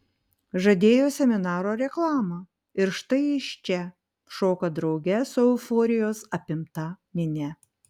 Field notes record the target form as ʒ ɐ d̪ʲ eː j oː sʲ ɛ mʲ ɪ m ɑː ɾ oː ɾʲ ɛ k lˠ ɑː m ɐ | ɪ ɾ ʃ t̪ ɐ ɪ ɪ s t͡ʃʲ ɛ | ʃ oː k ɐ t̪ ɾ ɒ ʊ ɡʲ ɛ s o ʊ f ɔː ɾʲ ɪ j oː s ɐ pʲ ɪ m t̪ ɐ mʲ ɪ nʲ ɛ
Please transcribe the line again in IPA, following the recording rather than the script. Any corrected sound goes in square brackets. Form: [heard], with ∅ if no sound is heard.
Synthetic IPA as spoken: ʒ ɐ d̪ʲ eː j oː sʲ ɛ mʲ ɪ [n] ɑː ɾ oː ɾʲ ɛ k lˠ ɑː m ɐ | ɪ ɾ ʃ t̪ ɐ ɪ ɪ [ʃ] t͡ʃʲ ɛ | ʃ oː k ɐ [d̪] ɾ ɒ ʊ ɡʲ ɛ s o ʊ f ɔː ɾʲ ɪ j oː s ɐ pʲ ɪ m t̪ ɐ mʲ ɪ nʲ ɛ